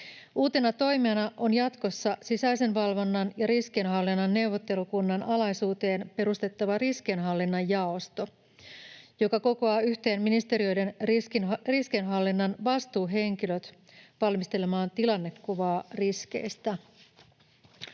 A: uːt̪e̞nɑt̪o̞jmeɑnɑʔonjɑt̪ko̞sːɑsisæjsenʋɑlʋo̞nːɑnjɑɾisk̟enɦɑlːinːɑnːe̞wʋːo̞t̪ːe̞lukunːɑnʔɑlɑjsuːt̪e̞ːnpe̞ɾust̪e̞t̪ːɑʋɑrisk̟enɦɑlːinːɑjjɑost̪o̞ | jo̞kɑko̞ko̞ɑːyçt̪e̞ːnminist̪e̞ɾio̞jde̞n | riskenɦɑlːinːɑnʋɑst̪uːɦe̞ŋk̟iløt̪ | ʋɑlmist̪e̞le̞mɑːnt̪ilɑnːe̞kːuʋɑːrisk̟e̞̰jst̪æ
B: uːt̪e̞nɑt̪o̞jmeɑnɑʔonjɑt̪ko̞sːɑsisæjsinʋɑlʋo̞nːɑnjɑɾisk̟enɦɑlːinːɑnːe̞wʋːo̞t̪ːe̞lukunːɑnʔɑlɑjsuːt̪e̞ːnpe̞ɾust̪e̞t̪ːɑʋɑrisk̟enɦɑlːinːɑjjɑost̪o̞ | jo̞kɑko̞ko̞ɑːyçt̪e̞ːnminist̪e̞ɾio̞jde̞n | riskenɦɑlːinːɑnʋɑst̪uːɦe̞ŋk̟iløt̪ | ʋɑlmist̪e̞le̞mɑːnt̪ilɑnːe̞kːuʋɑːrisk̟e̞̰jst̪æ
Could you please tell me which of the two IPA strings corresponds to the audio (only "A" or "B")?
A